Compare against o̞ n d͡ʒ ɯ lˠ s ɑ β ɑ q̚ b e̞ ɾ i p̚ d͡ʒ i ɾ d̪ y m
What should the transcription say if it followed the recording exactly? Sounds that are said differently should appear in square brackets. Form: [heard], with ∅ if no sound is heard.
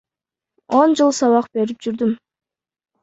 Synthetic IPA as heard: o̞ n d͡ʒ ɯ lˠ s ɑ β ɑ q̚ b e̞ ɾ i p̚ d͡ʒ [y] ɾ d̪ y m